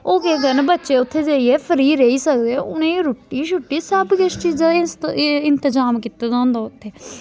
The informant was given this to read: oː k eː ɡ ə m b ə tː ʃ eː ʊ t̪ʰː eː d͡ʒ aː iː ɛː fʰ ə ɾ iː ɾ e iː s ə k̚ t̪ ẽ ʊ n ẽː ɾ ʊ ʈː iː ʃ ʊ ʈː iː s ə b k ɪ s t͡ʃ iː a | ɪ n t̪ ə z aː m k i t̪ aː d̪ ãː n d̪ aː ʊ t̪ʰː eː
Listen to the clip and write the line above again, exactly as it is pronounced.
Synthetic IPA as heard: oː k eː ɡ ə n b ə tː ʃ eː ʊ t̪ʰː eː d͡ʒ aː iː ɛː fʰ ə ɾ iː ɾ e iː s ə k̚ d̪ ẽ ʊ n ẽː ɾ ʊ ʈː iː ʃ ʊ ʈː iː s ə b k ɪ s t͡ʃ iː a | ɪ n t̪ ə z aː m k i t̪ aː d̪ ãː n d̪ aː ʊ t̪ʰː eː